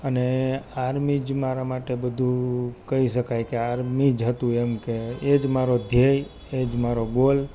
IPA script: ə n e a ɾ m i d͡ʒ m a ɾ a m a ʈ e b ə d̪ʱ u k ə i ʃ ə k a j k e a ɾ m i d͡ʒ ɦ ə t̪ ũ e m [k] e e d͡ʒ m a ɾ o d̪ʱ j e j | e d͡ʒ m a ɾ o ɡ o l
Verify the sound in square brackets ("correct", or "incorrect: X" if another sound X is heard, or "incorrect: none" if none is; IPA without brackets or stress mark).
correct